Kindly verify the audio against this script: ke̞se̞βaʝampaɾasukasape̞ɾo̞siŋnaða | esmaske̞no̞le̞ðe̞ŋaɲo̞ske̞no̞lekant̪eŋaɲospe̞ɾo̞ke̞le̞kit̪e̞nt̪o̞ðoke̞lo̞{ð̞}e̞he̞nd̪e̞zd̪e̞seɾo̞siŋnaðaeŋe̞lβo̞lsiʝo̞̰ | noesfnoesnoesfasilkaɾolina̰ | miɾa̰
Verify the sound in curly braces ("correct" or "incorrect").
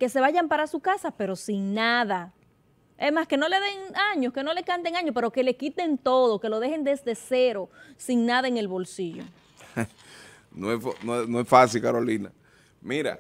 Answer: correct